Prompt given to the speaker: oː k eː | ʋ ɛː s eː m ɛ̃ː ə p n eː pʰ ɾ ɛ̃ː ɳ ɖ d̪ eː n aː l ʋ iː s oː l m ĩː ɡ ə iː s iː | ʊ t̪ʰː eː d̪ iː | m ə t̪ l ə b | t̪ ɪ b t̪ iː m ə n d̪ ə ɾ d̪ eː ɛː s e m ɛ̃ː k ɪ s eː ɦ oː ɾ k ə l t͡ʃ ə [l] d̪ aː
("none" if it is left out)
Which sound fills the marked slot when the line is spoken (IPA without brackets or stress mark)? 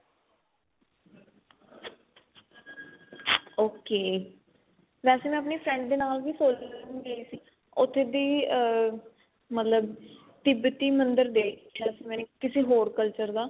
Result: ɾ